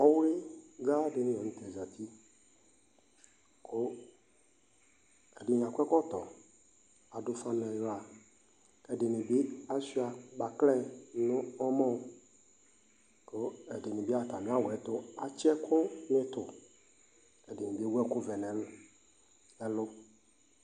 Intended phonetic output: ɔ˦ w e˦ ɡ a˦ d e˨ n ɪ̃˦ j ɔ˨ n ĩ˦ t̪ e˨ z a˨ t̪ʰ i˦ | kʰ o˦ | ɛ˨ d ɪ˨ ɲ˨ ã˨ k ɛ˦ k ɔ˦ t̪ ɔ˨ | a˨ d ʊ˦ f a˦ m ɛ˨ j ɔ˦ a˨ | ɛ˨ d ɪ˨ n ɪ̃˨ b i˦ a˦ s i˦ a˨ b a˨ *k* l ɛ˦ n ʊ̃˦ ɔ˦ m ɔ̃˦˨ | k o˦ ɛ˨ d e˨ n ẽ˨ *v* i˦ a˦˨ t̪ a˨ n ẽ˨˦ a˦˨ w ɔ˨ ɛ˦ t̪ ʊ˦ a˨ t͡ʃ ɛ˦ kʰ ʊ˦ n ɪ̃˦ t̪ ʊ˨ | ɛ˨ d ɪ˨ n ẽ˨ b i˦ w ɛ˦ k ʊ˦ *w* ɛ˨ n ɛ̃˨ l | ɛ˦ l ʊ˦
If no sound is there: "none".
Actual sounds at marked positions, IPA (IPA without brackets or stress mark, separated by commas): k, b, v